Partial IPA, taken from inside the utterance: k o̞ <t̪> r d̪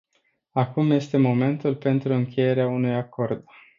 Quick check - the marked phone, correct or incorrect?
incorrect: none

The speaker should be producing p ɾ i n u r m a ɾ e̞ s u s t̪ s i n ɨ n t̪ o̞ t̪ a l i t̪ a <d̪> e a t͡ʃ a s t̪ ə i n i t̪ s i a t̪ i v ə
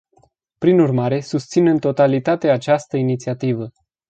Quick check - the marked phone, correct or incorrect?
incorrect: t̪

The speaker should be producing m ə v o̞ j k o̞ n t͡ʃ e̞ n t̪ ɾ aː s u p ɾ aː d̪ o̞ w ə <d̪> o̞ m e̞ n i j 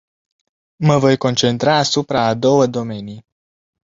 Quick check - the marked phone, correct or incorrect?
correct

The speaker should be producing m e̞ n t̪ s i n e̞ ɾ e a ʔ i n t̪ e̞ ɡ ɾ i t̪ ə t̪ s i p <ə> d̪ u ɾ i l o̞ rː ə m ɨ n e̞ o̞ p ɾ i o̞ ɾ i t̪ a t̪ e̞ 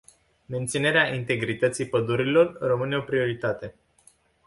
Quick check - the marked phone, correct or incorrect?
correct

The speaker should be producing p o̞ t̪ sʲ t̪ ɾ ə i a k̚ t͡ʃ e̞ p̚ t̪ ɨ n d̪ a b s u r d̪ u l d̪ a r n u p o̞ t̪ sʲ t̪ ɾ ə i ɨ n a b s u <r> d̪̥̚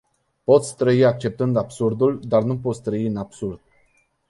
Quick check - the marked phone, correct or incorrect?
correct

